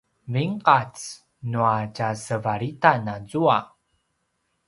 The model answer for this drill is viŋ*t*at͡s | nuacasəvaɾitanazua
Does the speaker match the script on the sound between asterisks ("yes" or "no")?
no